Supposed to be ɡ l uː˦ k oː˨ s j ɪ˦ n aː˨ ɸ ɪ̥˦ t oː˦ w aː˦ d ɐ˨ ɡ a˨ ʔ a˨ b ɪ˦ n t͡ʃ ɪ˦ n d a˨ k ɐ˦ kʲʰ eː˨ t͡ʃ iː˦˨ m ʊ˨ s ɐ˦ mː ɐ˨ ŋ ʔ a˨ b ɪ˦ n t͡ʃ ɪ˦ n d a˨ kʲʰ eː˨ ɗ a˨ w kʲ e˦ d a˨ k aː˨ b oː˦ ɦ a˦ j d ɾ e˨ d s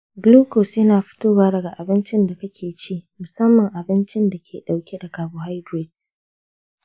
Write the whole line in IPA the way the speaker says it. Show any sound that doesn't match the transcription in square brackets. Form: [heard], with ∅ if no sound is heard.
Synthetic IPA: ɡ l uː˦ k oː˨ s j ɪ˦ n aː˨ ɸ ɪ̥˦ t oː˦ w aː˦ d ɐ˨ ɡ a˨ ʔ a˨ b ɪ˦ n t͡ʃ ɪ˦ n d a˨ k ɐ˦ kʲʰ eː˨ t͡ʃ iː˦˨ m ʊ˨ s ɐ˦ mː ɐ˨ ŋ ʔ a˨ b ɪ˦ n t͡ʃ ɪ˦ n d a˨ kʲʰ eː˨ ɗ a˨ w kʲ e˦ d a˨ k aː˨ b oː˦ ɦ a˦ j d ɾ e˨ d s